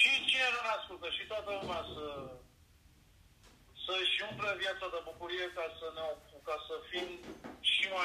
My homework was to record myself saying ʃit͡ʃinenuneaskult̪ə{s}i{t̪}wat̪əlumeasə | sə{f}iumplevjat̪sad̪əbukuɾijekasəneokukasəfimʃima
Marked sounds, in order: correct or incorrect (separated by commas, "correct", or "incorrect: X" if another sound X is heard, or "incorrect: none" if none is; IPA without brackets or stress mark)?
incorrect: ʃ, correct, incorrect: ʃ